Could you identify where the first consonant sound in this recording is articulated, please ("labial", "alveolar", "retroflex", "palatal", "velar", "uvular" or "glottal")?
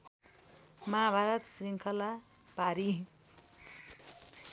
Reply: labial